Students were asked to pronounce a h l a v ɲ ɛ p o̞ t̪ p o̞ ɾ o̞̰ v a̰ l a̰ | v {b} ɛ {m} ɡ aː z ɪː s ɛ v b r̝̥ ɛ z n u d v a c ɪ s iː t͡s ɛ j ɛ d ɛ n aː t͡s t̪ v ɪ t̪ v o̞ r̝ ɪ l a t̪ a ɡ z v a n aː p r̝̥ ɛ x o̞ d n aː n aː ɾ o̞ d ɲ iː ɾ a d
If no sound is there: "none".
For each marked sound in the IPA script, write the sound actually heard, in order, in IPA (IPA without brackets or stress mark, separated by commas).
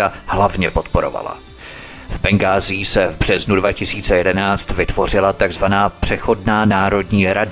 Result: b, ŋ